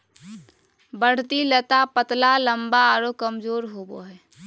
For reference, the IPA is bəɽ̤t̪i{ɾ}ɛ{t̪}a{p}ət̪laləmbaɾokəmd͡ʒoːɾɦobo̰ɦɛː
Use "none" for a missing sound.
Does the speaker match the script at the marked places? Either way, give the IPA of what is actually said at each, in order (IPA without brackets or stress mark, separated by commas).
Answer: l, t̪, p